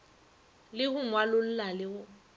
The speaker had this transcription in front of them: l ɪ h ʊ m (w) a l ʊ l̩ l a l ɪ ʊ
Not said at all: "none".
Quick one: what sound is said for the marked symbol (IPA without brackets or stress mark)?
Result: w